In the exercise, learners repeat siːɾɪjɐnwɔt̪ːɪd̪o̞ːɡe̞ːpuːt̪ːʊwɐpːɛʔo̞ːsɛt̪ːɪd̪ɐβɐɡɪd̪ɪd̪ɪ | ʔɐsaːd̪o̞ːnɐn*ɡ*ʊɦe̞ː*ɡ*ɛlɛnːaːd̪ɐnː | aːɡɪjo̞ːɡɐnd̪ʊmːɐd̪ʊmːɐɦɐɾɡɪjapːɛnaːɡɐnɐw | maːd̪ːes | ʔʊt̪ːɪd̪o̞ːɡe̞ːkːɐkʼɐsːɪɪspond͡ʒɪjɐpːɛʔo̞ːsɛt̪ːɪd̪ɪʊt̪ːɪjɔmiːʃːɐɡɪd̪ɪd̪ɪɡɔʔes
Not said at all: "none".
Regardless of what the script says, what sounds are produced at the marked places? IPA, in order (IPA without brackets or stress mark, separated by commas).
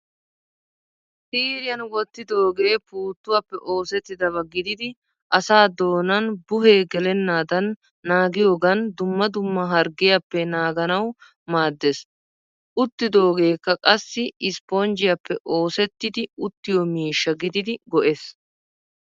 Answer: b, ɡ